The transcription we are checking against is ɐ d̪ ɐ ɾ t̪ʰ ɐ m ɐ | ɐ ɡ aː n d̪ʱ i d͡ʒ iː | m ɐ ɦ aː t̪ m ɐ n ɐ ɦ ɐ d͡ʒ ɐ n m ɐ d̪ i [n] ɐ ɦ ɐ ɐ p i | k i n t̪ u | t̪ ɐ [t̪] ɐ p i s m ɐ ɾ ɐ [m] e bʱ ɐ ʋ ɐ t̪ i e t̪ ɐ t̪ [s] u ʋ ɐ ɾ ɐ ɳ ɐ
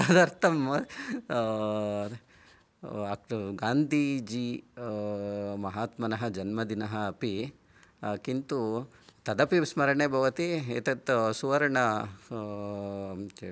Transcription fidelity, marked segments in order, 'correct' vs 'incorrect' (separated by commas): correct, incorrect, incorrect, correct